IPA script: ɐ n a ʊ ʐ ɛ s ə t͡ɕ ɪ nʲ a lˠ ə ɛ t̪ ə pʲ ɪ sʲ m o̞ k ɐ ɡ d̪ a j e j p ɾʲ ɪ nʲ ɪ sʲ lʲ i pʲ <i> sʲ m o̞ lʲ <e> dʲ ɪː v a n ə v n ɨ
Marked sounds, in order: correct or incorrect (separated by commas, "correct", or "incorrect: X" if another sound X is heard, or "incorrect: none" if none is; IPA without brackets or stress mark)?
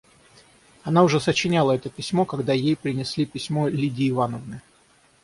incorrect: ɪ, incorrect: i